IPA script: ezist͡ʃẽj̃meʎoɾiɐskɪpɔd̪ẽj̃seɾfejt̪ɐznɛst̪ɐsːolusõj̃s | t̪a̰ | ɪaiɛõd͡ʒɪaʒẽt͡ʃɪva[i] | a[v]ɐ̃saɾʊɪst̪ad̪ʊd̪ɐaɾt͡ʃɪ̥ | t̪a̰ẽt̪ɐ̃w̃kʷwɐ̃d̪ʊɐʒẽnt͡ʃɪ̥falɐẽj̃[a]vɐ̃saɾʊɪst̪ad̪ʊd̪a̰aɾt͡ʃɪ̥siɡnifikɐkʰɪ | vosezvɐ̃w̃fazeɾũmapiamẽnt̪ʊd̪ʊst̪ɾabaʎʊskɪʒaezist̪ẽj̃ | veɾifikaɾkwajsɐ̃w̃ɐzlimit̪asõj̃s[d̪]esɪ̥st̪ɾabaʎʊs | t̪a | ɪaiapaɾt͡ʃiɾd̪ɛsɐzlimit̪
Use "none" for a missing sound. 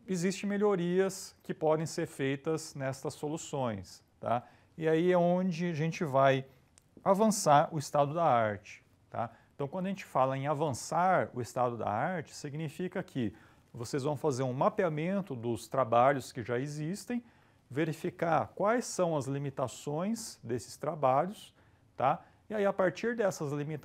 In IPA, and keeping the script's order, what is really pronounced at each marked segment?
j, v, a, d̪

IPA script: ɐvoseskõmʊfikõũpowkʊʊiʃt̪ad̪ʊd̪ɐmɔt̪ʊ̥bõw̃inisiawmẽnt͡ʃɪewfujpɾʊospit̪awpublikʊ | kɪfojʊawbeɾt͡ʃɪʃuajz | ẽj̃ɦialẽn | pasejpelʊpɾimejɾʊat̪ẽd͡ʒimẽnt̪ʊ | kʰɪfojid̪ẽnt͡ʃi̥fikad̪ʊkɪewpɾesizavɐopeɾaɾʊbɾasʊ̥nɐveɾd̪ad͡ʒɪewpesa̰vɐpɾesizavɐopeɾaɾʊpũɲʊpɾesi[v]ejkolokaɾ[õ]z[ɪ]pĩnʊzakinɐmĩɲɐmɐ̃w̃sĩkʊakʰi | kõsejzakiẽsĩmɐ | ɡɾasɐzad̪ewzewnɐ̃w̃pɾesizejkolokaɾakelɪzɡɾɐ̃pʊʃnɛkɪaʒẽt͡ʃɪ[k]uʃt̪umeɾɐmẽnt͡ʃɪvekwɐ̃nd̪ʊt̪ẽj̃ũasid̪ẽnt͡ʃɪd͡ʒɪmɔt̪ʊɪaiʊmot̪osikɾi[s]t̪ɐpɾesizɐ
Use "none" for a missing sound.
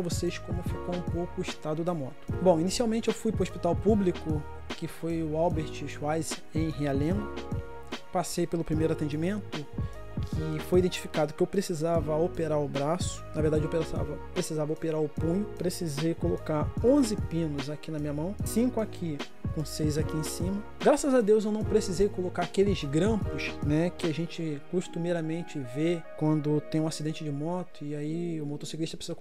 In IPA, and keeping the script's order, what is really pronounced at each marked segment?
z, õ, ɪ, k, ʃ

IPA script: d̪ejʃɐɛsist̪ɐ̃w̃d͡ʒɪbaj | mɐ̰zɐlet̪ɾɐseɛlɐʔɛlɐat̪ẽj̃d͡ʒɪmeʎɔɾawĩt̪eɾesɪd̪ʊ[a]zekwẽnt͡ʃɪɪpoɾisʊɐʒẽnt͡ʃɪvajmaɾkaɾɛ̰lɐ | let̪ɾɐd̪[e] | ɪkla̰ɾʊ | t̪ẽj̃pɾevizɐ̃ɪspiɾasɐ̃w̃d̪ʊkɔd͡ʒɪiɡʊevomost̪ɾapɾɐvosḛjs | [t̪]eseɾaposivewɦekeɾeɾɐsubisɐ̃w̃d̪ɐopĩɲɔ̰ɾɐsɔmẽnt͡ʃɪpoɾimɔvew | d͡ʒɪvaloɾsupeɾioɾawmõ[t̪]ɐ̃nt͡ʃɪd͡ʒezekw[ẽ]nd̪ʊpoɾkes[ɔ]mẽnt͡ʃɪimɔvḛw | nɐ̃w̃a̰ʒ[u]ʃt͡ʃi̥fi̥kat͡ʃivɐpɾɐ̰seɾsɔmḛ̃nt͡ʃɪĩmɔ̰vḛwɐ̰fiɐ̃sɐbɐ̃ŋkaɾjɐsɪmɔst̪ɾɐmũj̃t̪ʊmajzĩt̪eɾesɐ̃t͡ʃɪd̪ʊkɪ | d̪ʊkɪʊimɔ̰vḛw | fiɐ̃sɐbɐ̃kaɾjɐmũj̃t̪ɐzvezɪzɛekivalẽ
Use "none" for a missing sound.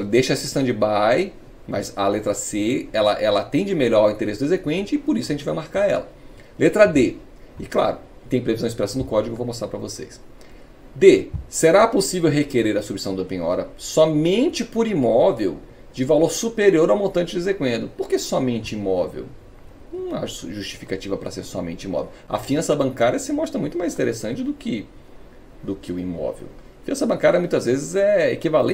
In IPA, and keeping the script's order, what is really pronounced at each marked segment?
e, e, d̪, t̪, ẽ, ɔ, u

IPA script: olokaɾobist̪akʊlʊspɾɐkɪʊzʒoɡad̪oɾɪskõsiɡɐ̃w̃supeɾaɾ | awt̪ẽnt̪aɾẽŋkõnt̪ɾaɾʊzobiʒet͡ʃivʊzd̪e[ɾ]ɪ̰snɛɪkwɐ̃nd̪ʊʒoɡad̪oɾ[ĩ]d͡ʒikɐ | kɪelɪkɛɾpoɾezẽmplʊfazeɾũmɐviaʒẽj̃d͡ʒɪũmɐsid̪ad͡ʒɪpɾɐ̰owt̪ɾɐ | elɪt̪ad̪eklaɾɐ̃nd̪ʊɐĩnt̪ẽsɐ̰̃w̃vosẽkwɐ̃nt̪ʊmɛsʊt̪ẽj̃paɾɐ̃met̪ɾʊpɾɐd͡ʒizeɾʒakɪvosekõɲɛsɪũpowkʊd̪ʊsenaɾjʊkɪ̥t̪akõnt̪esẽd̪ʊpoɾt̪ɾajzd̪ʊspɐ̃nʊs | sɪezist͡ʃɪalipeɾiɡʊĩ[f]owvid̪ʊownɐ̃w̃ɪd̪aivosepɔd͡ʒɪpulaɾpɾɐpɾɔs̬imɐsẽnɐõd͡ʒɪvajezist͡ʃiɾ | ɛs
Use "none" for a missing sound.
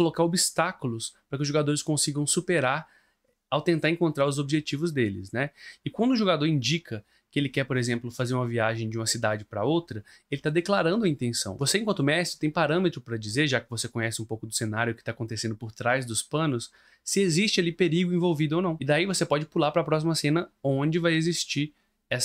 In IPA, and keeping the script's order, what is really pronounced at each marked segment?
l, ĩ, v

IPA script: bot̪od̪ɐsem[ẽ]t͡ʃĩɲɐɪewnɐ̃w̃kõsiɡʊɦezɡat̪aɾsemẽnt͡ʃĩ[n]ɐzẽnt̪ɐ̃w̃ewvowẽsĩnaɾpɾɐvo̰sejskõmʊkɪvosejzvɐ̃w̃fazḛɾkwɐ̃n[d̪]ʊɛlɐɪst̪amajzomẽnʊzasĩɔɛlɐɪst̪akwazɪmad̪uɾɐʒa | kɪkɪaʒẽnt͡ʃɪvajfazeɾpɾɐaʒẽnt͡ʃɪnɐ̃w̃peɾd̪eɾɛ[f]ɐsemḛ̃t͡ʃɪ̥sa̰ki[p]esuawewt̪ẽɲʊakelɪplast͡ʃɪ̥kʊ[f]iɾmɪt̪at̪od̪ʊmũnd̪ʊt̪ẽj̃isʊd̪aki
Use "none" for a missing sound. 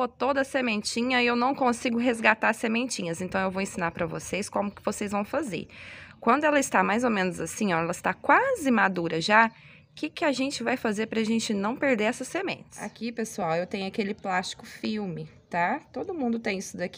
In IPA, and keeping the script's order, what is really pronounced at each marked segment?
ẽ, ɲ, d̪, s, p, f

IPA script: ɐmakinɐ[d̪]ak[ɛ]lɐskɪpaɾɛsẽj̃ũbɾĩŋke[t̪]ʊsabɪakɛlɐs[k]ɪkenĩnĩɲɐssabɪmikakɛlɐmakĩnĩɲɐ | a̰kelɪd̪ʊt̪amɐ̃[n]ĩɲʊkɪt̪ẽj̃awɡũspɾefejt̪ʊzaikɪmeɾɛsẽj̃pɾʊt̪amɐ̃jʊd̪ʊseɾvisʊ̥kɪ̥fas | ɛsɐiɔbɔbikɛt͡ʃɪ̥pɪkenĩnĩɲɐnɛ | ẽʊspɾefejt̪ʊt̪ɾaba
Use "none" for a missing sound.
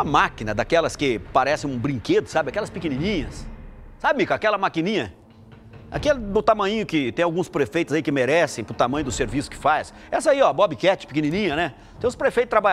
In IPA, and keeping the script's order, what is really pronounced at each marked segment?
d̪, ɛ, d̪, p, ɲ

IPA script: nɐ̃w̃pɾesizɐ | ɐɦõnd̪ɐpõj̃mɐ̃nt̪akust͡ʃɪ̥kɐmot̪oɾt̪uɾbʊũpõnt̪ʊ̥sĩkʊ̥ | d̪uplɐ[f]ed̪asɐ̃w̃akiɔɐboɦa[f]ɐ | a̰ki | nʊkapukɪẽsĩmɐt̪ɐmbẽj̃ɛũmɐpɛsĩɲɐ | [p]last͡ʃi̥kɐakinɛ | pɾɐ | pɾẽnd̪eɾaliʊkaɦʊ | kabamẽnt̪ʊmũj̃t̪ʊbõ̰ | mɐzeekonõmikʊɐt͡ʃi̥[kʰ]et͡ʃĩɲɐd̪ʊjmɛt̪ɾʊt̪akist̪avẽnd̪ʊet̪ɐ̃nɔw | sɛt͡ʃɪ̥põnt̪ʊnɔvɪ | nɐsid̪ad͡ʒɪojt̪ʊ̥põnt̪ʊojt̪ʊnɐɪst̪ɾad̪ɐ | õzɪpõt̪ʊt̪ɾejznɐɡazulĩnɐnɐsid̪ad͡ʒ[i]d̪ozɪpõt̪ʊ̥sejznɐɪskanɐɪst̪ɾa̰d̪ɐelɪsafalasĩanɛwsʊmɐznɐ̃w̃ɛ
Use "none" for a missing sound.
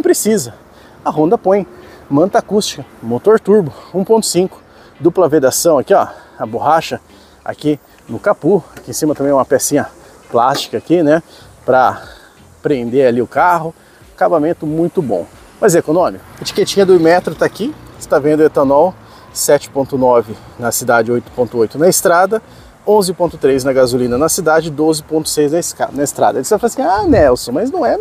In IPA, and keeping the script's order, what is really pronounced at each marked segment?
v, ʃ, p, k, ɪ

